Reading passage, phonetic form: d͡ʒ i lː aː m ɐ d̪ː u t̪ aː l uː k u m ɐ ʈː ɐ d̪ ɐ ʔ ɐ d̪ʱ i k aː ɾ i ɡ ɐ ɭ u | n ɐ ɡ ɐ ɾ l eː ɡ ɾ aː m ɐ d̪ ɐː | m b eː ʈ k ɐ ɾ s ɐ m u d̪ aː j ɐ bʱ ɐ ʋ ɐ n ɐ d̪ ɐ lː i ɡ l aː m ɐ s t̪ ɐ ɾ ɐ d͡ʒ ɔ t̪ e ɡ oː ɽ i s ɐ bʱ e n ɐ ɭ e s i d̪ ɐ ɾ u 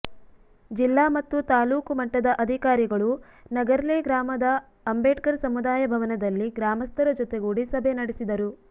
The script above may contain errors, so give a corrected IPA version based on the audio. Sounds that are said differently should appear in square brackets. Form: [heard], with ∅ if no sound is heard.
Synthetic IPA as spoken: d͡ʒ i lː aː m ɐ [t̪ː] u t̪ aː l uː k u m ɐ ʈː ɐ d̪ ɐ ʔ ɐ d̪ʱ i k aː ɾ i ɡ ɐ ɭ u | n ɐ ɡ ɐ ɾ l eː ɡ ɾ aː m ɐ d̪ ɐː | m b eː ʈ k ɐ ɾ s ɐ m u d̪ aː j ɐ bʱ ɐ ʋ ɐ n ɐ d̪ ɐ lː i ɡ [ɾ] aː m ɐ s t̪ ɐ ɾ ɐ d͡ʒ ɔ t̪ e ɡ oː ɽ i s ɐ bʱ e n ɐ [ɽ] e s i d̪ ɐ ɾ u

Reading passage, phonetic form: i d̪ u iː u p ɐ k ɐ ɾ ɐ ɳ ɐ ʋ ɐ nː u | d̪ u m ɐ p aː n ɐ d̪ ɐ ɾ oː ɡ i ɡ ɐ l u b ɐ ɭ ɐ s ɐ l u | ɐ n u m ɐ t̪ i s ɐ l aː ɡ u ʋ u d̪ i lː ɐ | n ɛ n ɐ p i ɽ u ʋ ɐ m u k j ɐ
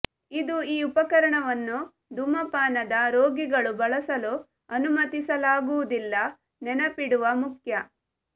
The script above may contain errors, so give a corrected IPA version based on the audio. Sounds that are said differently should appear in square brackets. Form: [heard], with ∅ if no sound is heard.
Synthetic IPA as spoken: i d̪ u iː u p ɐ k ɐ ɾ ɐ ɳ ɐ ʋ ɐ nː u | d̪ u m ɐ p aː n ɐ d̪ ɐ ɾ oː ɡ i ɡ ɐ [ɭ] u b ɐ ɭ ɐ s ɐ l u | ɐ n u m ɐ t̪ i s ɐ l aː ɡ u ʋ u d̪ i lː ɐ | n ɛ n ɐ p i ɽ u ʋ ɐ m u k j ɐ

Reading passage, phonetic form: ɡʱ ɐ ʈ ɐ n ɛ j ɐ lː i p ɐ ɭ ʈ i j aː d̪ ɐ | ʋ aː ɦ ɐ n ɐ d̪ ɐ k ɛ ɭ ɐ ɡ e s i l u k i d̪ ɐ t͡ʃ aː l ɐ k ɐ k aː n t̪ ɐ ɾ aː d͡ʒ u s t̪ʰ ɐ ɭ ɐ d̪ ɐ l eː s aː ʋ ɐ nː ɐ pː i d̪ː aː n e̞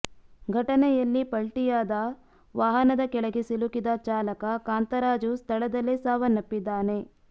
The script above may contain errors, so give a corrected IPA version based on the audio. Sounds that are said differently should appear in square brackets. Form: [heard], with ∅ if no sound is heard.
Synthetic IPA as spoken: ɡʱ ɐ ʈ ɐ n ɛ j ɐ lː i p ɐ ɭ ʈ i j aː d̪ ɐ | ʋ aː ɦ ɐ n ɐ d̪ ɐ k ɛ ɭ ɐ ɡ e s i l u k i d̪ ɐ t͡ʃ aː l ɐ k ɐ k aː n t̪ ɐ ɾ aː d͡ʒ u s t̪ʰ ɐ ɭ ɐ d̪ ɐ l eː s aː ʋ ɐ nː ɐ pː i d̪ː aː n e̞

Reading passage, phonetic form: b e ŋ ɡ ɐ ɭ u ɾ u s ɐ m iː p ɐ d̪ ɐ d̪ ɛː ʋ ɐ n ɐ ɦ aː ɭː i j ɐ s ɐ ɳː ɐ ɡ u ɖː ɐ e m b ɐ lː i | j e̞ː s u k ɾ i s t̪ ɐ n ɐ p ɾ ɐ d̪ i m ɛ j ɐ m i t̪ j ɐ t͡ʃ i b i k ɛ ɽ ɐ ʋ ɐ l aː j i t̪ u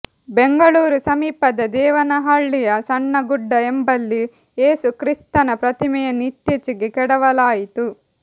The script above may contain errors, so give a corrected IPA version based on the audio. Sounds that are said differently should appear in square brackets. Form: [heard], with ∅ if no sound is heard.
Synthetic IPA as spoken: b e ŋ ɡ ɐ ɭ [uː] ɾ u s ɐ m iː p ɐ d̪ ɐ d̪ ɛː ʋ ɐ n ɐ ɦ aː ɭː i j ɐ s ɐ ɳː ɐ ɡ u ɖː ɐ e m b ɐ lː i | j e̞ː s u k ɾ i s t̪ ɐ n ɐ p ɾ ɐ [t̪] i m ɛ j ɐ [n] i t̪ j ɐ t͡ʃ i [ɡ] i k ɛ ɽ ɐ ʋ ɐ l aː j i t̪ u

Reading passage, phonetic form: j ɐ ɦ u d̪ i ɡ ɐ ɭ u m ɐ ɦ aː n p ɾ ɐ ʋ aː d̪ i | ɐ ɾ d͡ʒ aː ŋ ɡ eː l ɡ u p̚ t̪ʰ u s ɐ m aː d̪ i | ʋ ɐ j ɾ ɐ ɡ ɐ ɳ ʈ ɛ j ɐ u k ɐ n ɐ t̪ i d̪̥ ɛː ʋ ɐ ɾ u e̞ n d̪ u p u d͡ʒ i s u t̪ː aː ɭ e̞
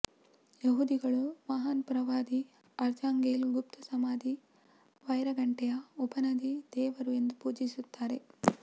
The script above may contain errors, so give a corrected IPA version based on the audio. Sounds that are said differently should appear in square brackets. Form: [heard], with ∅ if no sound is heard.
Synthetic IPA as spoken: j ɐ ɦ u d̪ i ɡ ɐ ɭ u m ɐ ɦ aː n p ɾ ɐ ʋ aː d̪ i | ɐ ɾ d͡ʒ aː ŋ ɡ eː l ɡ u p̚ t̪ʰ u s ɐ m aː d̪ i | ʋ ɐ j ɾ ɐ ɡ ɐ ɳ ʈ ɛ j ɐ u [p] ɐ n ɐ [d̪] i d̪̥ ɛː ʋ ɐ ɾ u e̞ n d̪ u p [uː] d͡ʒ i s u t̪ː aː [ɾ] e̞

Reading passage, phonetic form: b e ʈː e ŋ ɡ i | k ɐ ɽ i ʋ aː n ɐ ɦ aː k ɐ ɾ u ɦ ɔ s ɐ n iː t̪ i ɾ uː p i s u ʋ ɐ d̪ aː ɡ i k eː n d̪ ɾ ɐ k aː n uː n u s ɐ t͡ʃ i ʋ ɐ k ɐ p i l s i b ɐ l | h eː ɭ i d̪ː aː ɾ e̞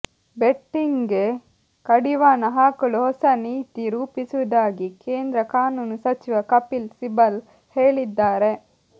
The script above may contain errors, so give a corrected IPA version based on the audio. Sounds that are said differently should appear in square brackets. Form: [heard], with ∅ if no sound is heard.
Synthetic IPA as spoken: b e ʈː [i] ŋ ɡ [e] | k ɐ ɽ i ʋ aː n ɐ ɦ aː k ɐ [ɭ] u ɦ ɔ s ɐ n iː t̪ i ɾ uː p i s u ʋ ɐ d̪ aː ɡ i k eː n d̪ ɾ ɐ k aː n uː n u s ɐ t͡ʃ i ʋ ɐ k ɐ p i l s i b ɐ l | h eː ɭ i d̪ː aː ɾ e̞

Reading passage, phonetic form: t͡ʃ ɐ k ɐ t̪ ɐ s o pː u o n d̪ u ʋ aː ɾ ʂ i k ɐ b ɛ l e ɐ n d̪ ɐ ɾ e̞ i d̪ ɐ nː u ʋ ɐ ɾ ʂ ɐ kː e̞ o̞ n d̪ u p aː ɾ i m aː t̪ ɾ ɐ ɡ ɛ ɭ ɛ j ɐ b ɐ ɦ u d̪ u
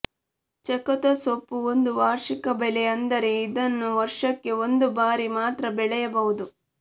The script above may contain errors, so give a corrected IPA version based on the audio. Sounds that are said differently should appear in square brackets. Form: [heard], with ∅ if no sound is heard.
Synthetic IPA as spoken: t͡ʃ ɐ k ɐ t̪ ɐ s o pː u o n d̪ u ʋ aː ɾ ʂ i k ɐ b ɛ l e ɐ n d̪ ɐ ɾ e̞ i d̪ ɐ nː u ʋ ɐ ɾ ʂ ɐ kː e̞ o̞ n d̪ u [b] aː ɾ i m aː t̪ ɾ ɐ [b] ɛ ɭ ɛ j ɐ b ɐ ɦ u d̪ u

